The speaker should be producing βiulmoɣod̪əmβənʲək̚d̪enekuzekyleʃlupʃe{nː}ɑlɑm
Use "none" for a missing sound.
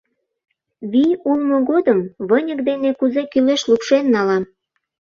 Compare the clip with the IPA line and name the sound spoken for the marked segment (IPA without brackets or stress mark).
nː